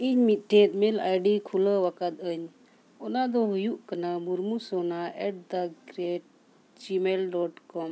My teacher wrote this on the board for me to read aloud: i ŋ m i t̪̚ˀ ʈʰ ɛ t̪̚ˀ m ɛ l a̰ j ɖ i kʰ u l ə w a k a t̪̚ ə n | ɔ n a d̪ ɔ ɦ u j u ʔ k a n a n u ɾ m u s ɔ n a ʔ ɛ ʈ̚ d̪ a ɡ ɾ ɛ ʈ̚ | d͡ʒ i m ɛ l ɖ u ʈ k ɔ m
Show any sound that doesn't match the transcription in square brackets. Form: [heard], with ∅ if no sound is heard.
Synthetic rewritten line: i [ɲ] m i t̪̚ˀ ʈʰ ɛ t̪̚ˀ m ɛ l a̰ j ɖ i kʰ u l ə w a k a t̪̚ ə [ɲ] | ɔ n a d̪ ɔ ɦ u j u ʔ k a n a [m] u ɾ m u s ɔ n a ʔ ɛ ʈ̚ d̪ a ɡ ɾ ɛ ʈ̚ | d͡ʒ i m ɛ l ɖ [ɔ] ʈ k ɔ m